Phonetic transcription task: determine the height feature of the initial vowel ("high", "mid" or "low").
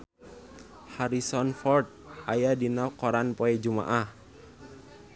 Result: low